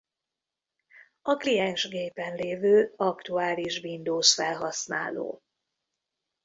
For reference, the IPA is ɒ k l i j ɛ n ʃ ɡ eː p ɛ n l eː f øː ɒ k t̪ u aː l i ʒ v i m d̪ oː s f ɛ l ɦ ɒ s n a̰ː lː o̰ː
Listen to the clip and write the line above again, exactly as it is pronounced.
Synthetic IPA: ɒ k l i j ɛ n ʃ ɡ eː p ɛ n l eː v øː ɒ k t̪ u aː l i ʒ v i n d̪ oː s f ɛ l ɦ ɒ s n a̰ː l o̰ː